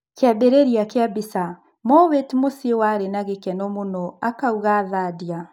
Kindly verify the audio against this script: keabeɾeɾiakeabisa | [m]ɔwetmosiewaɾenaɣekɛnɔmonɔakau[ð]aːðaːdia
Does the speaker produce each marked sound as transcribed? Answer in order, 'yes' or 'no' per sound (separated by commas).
yes, no